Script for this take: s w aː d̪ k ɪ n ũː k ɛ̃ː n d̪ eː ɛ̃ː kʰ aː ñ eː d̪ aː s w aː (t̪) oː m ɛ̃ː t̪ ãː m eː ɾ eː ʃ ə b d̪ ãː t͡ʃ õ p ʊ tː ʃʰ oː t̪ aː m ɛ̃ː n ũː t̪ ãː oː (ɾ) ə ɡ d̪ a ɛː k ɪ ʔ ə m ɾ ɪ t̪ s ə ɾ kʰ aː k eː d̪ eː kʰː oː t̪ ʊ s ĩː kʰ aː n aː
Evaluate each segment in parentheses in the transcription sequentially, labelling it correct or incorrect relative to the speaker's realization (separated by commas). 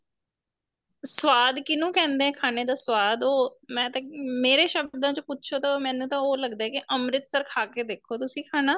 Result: incorrect, incorrect